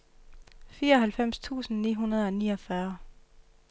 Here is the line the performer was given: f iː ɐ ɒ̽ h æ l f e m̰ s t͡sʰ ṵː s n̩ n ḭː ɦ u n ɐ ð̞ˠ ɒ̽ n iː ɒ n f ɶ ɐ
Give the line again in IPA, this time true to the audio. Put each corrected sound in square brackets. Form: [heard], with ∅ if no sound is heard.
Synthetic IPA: f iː ɐ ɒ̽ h æ l f e m̰ s t͡sʰ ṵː s n̩ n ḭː ɦ u n ɐ ð̞ˠ ɒ̽ n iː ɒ [∅] f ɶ ɐ

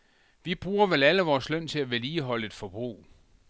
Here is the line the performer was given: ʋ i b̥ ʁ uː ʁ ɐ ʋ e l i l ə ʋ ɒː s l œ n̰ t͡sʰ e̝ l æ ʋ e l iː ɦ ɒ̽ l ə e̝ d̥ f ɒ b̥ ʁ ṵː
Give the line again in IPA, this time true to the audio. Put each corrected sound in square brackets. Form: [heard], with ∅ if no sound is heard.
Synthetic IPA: ʋ i b̥ ʁ uː [∅] ɐ ʋ e l [æ] l ə ʋ ɒː s l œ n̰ t͡sʰ e̝ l æ ʋ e l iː ɦ ɒ̽ l ə e̝ d̥ f ɒ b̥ ʁ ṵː

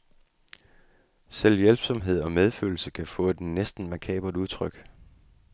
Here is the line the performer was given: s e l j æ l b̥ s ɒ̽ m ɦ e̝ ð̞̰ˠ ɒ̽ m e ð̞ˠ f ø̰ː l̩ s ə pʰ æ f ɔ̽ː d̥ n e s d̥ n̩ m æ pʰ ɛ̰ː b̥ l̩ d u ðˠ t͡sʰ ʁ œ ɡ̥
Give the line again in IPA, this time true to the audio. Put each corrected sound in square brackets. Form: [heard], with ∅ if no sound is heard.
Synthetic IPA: s e l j [e] l b̥ s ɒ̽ m ɦ e̝ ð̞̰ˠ ɒ̽ m e ð̞ˠ f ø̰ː l̩ s ə [kʰ] æ f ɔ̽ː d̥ n e s d̥ n̩ m æ [kʰ] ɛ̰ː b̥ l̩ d u ðˠ t͡sʰ ʁ œ ɡ̥

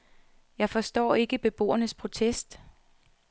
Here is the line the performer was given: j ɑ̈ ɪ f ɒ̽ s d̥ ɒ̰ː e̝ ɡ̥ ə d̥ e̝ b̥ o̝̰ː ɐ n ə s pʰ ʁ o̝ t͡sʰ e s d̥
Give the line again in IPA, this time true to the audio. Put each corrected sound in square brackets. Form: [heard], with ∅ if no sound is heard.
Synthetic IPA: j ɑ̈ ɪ f ɒ̽ s d̥ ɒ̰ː e̝ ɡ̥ ə [b̥] e̝ b̥ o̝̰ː ɐ n ə s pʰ ʁ o̝ t͡sʰ e s d̥

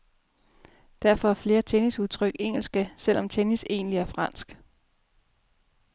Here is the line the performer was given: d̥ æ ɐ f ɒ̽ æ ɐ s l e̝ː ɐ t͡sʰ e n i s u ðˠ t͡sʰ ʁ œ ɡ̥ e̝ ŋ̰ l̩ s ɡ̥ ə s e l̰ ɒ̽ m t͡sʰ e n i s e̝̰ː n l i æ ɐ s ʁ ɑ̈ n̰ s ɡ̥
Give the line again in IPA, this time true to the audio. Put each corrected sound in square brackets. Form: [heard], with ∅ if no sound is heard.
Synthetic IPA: d̥ æ ɐ f ɒ̽ æ ɐ [f] l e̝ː ɐ t͡sʰ e n i s u ðˠ t͡sʰ ʁ œ ɡ̥ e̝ ŋ̰ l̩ s ɡ̥ ə s e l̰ ɒ̽ m t͡sʰ e n i s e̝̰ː n l i æ ɐ [f] ʁ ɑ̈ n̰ s ɡ̥

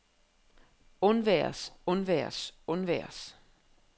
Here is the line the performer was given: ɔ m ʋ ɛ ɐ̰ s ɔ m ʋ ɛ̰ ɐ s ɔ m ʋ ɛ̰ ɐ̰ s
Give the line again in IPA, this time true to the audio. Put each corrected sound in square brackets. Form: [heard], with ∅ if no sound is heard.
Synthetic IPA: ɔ [n] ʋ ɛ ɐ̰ s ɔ [n] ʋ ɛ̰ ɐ s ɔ [n] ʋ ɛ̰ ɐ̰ s

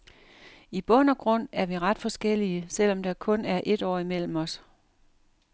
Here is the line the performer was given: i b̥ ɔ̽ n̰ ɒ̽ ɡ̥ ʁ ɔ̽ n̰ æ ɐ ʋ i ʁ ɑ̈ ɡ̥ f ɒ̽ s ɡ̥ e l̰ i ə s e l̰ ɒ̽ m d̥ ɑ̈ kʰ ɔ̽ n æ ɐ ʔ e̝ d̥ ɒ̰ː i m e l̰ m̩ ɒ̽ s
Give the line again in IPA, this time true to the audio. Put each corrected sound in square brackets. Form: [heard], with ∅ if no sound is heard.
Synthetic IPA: i b̥ ɔ̽ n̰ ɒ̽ ɡ̥ ʁ ɔ̽ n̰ æ ɐ ʋ i ʁ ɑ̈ [d̥] f ɒ̽ s ɡ̥ e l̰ i ə s e l̰ ɒ̽ m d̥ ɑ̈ kʰ ɔ̽ n æ ɐ ʔ e̝ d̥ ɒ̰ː i m e l̰ m̩ ɒ̽ s

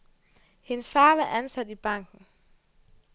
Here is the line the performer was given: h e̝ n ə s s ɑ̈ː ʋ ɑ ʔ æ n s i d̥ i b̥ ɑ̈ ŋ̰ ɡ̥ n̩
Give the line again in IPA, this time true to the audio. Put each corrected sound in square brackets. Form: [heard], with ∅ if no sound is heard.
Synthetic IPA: h e̝ n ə s [f] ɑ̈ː ʋ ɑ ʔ æ n s [æ] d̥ i b̥ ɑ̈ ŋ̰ ɡ̥ n̩

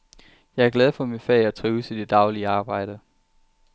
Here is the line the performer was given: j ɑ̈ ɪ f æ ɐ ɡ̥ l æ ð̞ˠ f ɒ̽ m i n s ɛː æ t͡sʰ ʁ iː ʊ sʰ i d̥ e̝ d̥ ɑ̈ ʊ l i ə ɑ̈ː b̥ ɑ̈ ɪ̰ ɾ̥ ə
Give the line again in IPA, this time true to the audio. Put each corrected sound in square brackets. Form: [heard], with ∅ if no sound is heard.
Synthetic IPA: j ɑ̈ ɪ [∅] æ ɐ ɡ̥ l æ ð̞ˠ f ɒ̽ m i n [f] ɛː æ t͡sʰ ʁ iː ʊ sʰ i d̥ e̝ d̥ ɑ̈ ʊ l i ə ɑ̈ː b̥ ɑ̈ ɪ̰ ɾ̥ ə

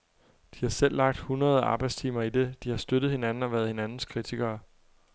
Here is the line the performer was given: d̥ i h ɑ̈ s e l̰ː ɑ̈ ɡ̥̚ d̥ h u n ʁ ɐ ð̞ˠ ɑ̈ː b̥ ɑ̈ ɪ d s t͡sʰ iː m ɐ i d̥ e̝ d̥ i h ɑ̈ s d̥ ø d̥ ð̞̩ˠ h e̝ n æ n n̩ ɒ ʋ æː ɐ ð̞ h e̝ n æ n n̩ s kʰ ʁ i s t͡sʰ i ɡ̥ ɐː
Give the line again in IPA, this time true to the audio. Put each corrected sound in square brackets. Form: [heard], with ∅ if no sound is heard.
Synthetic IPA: d̥ i h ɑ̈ s e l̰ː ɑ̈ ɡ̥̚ d̥ h u n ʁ ɐ ð̞ˠ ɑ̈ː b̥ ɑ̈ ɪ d s t͡sʰ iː m ɐ i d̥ e̝ d̥ i h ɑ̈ s d̥ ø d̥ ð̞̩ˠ h e̝ n æ n n̩ ɒ ʋ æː ɐ ð̞ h e̝ n æ n n̩ s kʰ ʁ i [∅] t͡sʰ i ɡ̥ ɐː

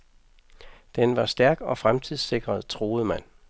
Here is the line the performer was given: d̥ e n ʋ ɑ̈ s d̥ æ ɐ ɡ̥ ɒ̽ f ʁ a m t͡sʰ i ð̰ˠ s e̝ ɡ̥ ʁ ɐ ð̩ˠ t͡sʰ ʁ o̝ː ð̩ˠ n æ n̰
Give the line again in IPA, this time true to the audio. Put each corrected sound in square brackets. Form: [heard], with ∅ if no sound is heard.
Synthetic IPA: d̥ e n ʋ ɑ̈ s d̥ æ ɐ ɡ̥ ɒ̽ f ʁ a m t͡sʰ i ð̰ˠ s e̝ ɡ̥ ʁ ɐ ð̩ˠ t͡sʰ ʁ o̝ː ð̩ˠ [m] æ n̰

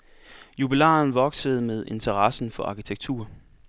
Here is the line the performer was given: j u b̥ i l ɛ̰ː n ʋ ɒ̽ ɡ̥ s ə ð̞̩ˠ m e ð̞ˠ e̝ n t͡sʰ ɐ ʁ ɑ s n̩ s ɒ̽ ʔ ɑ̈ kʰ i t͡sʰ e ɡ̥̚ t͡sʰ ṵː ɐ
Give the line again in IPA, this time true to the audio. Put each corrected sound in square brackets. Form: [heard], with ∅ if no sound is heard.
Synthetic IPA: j u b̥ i l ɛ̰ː n ʋ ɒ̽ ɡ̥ s ə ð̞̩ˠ m e ð̞ˠ e̝ n t͡sʰ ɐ ʁ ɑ s n̩ [f] ɒ̽ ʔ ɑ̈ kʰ i t͡sʰ e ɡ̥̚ t͡sʰ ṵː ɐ

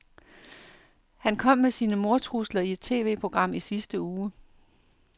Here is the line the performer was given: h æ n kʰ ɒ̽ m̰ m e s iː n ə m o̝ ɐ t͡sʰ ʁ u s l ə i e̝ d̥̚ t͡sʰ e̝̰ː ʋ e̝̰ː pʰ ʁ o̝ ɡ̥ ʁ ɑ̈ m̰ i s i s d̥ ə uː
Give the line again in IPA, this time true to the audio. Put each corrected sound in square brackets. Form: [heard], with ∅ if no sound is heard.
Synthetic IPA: h æ n kʰ ɒ̽ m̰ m e s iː n ə m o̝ ɐ t͡sʰ ʁ u s l [ɐ] i e̝ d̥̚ t͡sʰ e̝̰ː ʋ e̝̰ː pʰ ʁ o̝ ɡ̥ ʁ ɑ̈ m̰ i s i s d̥ ə uː

